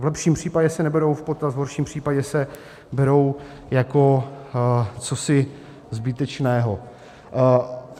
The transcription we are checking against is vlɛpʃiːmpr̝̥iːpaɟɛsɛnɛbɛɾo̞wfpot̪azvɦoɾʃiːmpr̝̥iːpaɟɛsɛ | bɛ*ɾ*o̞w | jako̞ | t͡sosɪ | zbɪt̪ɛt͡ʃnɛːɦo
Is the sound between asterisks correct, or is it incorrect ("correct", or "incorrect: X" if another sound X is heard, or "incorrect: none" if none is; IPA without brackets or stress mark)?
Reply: correct